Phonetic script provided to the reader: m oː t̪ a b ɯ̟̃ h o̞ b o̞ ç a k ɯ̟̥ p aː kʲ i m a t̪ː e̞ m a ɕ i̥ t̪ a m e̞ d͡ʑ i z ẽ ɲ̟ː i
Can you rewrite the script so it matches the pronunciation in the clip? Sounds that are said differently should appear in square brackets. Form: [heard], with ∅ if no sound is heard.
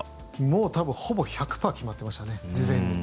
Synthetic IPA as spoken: m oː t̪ a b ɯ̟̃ h o̞ b o̞ ç a k ɯ̟̥ p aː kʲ i m a t̪ː e̞ m a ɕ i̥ t̪ a [n] e̞ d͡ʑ i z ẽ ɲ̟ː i